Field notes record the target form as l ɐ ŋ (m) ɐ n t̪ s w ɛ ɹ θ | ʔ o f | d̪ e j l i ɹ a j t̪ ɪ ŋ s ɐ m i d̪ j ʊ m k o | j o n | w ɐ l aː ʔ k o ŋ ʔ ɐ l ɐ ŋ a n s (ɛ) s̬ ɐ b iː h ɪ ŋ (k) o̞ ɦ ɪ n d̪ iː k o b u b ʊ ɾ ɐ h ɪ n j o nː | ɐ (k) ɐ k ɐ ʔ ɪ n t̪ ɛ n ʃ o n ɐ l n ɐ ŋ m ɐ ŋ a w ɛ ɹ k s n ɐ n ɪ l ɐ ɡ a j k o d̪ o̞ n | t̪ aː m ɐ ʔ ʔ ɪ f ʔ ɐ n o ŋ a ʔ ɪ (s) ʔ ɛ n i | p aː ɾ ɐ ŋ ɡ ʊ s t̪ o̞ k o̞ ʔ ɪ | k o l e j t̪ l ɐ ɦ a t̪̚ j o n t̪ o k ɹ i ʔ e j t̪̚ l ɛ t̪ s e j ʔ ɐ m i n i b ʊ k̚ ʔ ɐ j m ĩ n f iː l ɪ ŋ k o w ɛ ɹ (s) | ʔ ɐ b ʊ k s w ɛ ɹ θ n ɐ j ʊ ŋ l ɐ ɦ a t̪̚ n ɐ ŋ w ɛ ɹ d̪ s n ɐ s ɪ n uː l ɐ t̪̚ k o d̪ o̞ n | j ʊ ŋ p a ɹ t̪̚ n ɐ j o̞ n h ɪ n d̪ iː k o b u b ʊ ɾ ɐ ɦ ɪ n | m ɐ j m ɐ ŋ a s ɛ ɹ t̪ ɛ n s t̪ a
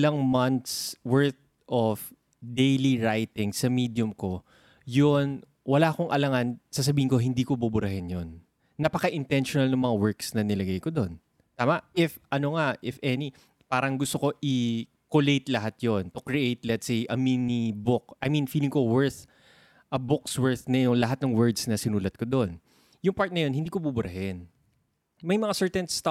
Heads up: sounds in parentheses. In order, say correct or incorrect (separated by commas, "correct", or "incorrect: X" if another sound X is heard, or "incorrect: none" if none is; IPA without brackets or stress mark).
correct, incorrect: a, correct, incorrect: p, incorrect: f, incorrect: θ